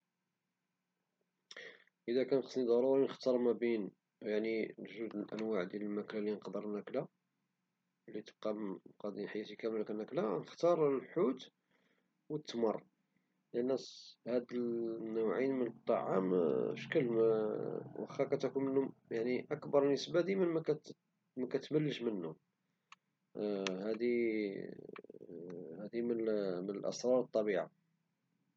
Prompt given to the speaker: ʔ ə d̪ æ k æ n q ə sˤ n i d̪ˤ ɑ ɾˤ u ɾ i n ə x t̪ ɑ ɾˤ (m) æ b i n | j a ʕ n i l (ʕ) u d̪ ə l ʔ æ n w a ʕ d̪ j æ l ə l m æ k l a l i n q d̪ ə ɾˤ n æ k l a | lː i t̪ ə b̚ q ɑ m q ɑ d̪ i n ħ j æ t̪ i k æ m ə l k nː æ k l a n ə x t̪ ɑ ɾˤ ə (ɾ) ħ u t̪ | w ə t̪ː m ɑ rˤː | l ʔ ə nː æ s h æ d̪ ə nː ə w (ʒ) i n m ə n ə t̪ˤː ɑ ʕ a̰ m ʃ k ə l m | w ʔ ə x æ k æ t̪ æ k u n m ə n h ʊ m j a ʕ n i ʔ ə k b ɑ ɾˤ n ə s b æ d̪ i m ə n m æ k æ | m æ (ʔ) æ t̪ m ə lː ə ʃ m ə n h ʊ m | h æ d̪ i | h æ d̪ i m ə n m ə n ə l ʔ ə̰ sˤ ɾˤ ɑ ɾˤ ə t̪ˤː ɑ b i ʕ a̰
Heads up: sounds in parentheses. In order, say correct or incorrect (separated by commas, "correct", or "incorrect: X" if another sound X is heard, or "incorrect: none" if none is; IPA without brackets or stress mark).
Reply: correct, incorrect: ʒ, incorrect: l, incorrect: ʕ, incorrect: k